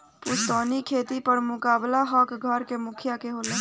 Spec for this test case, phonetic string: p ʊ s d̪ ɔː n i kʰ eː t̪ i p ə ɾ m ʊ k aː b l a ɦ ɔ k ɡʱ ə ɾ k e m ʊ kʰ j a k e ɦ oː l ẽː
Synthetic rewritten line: p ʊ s t̪ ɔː n i kʰ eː t̪ i p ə ɾ m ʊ k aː b l a ɦ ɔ k ɡʱ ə ɾ k e m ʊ kʰ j a k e ɦ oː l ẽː